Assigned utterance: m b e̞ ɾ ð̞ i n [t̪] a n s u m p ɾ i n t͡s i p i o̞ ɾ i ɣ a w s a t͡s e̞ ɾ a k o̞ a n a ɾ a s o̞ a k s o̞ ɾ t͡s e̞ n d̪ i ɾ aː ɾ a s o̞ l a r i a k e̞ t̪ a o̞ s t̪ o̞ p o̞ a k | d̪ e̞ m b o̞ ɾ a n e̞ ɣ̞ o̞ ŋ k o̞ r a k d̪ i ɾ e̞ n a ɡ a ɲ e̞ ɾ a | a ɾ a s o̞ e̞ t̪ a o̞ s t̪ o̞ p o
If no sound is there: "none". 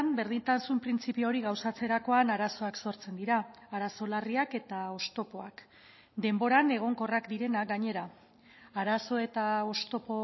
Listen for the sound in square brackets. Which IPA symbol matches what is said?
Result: t̪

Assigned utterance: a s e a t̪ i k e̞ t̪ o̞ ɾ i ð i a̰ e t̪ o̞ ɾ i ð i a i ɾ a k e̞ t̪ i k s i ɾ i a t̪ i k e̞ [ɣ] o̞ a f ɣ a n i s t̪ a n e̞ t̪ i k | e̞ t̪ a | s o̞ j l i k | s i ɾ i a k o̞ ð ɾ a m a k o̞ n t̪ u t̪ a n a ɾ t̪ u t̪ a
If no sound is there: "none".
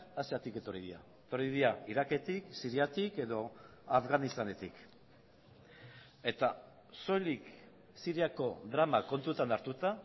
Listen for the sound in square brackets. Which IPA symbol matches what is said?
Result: ð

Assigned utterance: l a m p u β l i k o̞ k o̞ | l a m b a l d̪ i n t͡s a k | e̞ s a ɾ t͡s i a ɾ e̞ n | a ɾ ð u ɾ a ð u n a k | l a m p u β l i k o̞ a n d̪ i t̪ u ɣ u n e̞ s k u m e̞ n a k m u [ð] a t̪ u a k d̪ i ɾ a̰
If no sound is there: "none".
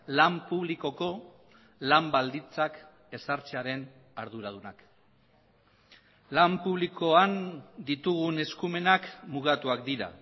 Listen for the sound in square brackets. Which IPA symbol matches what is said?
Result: ɣ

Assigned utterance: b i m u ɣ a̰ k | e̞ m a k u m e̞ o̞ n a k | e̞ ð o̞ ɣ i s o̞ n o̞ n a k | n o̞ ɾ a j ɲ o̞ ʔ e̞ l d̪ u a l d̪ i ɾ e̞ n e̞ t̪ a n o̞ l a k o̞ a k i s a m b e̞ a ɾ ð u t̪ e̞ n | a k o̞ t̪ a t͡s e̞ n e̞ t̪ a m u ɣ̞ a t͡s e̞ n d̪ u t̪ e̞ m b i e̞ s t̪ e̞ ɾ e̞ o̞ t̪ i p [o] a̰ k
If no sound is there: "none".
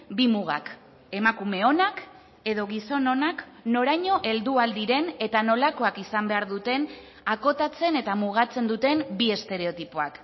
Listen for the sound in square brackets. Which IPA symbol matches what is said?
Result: o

